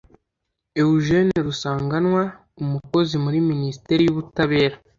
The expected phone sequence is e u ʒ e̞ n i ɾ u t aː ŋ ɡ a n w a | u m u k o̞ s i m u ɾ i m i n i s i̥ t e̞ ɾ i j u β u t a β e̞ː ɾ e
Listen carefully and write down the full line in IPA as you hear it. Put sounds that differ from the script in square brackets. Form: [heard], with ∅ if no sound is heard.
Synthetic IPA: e u ʒ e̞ n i ɾ u [s] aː ŋ ɡ a n w a | u m u k o̞ [z] i m u ɾ i m i n i s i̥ t e̞ ɾ i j u β u t a β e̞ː ɾ [a]